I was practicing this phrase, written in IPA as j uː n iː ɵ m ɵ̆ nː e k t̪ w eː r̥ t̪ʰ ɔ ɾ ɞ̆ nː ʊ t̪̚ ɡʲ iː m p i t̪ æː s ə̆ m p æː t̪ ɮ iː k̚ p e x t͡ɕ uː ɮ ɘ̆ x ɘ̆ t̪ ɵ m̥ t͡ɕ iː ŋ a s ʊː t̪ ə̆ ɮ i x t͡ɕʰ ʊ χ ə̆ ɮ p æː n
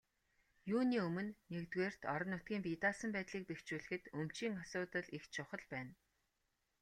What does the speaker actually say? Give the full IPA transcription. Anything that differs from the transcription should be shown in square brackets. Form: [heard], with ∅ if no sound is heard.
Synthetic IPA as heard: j uː n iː ɵ m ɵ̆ nː e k t̪ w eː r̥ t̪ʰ ɔ ɾ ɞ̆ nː ʊ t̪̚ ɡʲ iː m p i t̪ [aː] s ə̆ m p æː t̪ ɮ iː k̚ p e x t͡ɕ uː ɮ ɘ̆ x ɘ̆ t̪ ɵ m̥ t͡ɕ iː ŋ a s ʊː t̪ ə̆ ɮ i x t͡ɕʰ ʊ χ ə̆ ɮ p æː n